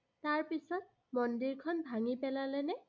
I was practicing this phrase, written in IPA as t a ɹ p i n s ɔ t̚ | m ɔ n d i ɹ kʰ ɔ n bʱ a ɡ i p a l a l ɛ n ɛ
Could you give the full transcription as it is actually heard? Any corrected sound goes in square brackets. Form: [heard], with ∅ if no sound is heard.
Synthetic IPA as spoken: t a ɹ p i [∅] s ɔ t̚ | m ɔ n d i ɹ kʰ ɔ n bʱ a [ŋ] i p [ɛ] l a l ɛ n ɛ